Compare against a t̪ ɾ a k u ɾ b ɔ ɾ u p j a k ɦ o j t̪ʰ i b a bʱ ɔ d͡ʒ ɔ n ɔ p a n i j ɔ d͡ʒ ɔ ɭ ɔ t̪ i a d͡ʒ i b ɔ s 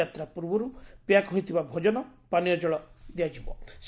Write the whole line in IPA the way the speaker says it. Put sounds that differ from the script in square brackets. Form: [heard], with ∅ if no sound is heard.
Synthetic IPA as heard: a t̪ ɾ a [p] u ɾ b ɔ ɾ u p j a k ɦ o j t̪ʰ i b a bʱ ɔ d͡ʒ ɔ n ɔ p a n i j ɔ d͡ʒ ɔ ɭ ɔ [d̪] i a d͡ʒ i b ɔ s